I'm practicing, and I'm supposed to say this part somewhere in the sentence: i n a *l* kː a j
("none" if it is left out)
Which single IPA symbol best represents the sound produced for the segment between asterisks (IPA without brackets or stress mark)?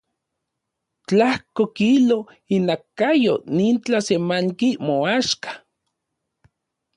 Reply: none